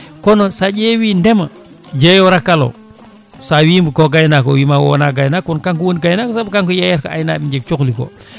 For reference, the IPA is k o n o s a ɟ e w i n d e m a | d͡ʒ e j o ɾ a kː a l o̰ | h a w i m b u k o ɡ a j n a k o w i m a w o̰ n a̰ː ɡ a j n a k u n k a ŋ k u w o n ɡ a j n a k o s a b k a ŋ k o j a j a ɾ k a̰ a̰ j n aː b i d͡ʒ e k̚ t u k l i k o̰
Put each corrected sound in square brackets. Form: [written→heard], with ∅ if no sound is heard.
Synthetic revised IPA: k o n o s a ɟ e w i n d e m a | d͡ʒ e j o ɾ a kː a l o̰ | [h→s] a w i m b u k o ɡ a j n a k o w i m a w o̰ n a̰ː ɡ a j n a k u n k a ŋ k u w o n ɡ a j n a k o s a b k a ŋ k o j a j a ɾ k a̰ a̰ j n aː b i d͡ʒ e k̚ [t→t͡ʃ] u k l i k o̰